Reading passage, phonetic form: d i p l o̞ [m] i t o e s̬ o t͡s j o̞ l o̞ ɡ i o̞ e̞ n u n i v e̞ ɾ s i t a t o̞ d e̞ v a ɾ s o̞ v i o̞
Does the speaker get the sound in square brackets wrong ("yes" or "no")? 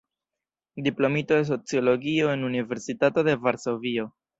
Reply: no